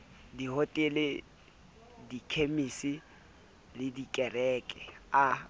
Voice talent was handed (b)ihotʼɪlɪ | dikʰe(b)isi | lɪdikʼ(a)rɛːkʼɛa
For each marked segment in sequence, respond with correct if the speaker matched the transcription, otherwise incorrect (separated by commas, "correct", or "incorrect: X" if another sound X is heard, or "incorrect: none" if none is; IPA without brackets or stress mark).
incorrect: d, incorrect: m, incorrect: ɛ